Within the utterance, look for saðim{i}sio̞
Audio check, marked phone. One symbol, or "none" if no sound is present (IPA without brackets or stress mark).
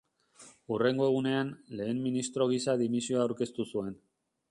i